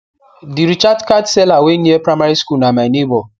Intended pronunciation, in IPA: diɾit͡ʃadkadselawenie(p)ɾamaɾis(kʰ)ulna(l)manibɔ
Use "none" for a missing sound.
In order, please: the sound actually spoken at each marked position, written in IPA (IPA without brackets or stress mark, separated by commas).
p, k, none